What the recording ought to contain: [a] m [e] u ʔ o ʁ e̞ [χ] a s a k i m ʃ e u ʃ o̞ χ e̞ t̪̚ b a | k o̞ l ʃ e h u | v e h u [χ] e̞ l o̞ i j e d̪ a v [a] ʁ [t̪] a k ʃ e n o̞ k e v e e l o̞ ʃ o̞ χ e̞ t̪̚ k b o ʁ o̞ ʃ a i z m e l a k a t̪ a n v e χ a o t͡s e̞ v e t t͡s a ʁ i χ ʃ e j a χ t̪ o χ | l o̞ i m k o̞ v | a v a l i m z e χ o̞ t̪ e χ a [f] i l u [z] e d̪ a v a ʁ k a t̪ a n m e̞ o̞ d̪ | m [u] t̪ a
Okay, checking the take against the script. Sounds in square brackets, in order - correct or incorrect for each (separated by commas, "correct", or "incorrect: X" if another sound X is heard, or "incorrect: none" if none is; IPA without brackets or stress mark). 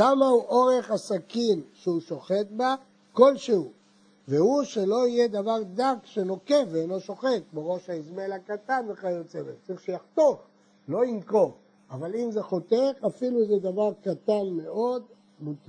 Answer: correct, incorrect: a, correct, incorrect: ʃ, correct, incorrect: d̪, correct, correct, correct